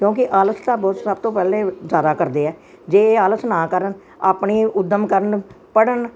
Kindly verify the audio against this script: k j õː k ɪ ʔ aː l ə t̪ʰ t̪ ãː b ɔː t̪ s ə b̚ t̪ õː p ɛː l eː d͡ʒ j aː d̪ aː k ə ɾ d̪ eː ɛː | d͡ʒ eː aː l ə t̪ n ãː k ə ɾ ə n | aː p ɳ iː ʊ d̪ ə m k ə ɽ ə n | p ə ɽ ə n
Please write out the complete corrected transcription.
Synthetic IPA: k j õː k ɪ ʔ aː l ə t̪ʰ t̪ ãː b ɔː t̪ s ə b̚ t̪ õː p ɛː l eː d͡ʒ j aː d̪ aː k ə ɾ d̪ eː ɛː | d͡ʒ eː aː l ə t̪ n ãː k ə ɾ ə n | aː p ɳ iː ʊ d̪ ə m k ə ɾ ə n | p ə ɽ ə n